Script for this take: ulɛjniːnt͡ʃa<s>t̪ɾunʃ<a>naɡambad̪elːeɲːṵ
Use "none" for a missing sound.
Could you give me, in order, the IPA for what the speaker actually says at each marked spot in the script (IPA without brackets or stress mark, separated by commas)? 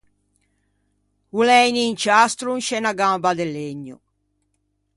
s, ɛ